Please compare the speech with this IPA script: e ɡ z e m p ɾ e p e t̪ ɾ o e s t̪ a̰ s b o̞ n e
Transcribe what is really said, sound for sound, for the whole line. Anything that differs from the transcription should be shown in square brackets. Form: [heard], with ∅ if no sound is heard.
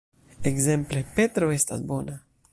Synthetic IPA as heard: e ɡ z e m p [l] e p e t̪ ɾ o e s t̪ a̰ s b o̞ n [a]